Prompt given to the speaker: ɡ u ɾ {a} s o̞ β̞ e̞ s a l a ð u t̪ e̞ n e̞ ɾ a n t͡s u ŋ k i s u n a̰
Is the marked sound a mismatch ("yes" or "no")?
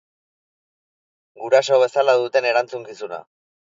no